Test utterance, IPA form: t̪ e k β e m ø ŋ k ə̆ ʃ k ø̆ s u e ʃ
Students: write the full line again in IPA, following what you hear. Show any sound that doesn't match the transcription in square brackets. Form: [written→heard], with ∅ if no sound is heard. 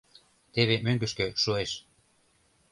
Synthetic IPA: t̪ e [k→∅] β e m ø ŋ [k→ɡ] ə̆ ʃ k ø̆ [s→ʃ] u e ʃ